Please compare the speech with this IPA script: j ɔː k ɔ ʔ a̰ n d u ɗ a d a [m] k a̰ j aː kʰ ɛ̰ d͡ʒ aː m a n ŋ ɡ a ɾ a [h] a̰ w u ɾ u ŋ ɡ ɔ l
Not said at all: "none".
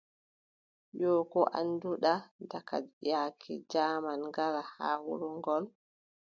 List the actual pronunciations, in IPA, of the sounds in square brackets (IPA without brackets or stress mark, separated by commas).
none, h